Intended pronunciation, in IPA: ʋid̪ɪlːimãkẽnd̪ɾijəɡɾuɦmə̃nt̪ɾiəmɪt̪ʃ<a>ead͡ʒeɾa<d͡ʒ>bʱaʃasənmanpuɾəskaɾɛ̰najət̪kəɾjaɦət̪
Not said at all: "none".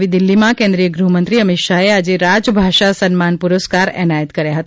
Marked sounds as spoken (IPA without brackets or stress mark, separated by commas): a, d͡ʒ